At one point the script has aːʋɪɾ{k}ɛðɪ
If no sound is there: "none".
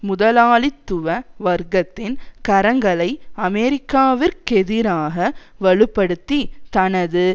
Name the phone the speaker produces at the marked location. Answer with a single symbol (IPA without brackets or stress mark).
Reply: k